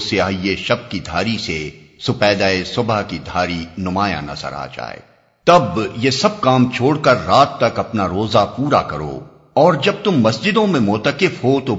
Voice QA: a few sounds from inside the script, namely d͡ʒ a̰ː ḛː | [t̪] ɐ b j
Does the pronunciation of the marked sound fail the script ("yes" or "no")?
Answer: no